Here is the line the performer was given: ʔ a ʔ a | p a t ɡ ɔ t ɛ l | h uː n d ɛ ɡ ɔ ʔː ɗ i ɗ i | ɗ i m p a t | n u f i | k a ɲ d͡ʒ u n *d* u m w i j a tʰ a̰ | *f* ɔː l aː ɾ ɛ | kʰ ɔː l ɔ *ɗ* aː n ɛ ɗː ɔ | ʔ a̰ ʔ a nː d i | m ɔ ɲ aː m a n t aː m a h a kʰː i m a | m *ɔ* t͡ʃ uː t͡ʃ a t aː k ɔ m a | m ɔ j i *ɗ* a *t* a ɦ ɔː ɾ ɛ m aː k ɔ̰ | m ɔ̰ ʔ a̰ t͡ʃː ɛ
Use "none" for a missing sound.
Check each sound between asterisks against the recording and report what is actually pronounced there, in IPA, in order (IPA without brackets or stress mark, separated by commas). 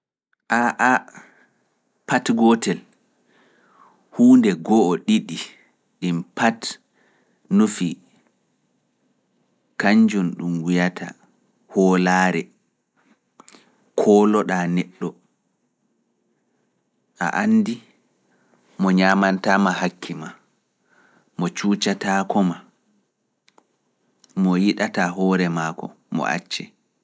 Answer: ɗ, h, ɗ, ɔ, ɗ, t